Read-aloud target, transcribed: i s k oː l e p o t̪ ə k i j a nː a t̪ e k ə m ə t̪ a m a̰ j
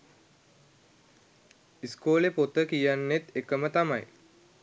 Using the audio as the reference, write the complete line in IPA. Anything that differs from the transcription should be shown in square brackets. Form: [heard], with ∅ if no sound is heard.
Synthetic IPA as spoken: i s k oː l e p o t̪ ə k i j a nː [e] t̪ e k ə m ə t̪ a m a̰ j